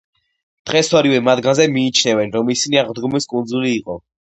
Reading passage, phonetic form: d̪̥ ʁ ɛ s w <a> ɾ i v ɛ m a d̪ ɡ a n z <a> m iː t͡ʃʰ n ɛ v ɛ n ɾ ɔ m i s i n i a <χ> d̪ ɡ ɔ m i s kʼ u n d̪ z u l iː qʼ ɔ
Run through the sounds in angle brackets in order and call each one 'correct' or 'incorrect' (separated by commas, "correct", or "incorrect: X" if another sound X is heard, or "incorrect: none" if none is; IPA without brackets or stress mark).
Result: correct, incorrect: ɛ, incorrect: ʁ